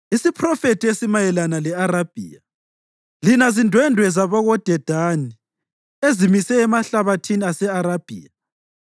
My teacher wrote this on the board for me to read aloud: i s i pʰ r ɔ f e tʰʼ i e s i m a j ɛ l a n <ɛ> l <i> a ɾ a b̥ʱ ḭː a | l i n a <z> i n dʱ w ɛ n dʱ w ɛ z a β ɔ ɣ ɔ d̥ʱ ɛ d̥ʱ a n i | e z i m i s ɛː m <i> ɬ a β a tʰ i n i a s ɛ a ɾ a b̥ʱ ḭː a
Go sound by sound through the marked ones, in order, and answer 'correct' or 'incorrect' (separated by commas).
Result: incorrect, incorrect, correct, incorrect